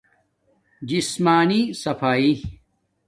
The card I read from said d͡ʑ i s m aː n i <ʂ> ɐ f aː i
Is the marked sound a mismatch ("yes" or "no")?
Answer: yes